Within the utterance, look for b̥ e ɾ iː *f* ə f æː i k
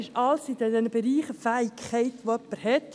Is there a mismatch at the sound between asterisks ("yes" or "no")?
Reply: yes